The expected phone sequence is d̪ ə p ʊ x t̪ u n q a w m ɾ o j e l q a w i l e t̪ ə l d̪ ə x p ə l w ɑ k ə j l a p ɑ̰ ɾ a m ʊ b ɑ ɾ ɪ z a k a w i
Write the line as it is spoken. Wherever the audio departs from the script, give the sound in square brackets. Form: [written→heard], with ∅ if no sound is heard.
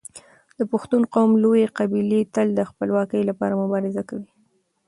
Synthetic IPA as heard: d̪ ə p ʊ x t̪ u n q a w m [ɾ→l] o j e [l→∅] q a [w→b] i l e t̪ ə l d̪ ə x p ə l w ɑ k ə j l a p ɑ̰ ɾ a m ʊ b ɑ ɾ ɪ z a k a w i